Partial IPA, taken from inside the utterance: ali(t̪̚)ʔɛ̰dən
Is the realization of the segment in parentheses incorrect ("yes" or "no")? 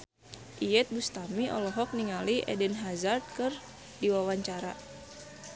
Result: yes